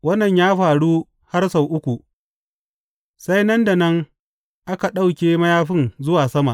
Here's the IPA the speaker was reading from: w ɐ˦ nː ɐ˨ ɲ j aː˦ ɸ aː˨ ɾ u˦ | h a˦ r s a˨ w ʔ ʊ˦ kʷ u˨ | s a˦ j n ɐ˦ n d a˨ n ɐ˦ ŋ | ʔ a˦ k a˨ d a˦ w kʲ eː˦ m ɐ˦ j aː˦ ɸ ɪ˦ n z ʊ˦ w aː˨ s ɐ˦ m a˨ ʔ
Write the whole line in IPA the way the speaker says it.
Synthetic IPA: w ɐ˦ nː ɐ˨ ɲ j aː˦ ɸ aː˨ ɽ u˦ | h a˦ r s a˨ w ʔ ʊ˦ kʷ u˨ | s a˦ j n ɐ˦ n d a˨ n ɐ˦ ŋ | ʔ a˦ k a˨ ɗ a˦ w kʲ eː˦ m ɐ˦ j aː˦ ɸ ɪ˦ n z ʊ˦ w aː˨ s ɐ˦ m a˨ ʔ